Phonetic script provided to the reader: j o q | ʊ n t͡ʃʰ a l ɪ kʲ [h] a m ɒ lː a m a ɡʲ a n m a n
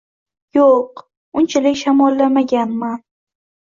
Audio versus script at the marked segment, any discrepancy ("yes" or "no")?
yes